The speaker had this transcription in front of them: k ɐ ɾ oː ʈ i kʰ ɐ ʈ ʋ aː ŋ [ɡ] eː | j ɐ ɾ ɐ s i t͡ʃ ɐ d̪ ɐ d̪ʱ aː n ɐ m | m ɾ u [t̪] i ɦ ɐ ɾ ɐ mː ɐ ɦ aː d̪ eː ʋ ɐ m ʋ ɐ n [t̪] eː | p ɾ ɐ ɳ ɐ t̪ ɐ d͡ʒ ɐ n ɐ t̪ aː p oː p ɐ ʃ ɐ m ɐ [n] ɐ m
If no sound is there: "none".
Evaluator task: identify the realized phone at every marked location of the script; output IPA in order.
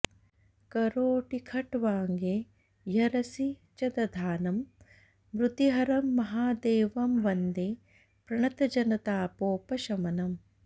ɡ, t̪, d̪, n

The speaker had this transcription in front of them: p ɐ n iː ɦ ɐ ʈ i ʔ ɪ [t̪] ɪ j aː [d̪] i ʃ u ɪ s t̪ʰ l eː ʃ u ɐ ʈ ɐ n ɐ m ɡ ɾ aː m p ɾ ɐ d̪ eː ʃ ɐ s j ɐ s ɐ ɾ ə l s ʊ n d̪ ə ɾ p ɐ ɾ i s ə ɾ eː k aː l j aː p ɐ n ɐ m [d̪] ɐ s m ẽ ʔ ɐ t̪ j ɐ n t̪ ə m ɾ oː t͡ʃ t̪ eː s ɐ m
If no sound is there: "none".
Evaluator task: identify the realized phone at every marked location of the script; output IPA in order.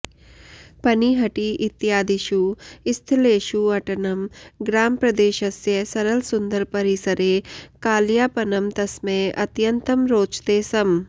t̪, d̪, t̪

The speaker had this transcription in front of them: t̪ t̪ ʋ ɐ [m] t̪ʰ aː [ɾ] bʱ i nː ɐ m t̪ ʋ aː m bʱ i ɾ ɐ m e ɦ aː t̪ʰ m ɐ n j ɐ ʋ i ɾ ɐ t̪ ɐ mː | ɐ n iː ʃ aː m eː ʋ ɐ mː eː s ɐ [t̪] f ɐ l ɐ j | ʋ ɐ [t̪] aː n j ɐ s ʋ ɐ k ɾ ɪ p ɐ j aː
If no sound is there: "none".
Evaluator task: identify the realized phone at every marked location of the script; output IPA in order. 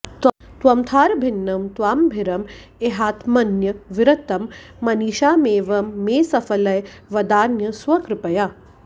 m, ɾ, none, d̪

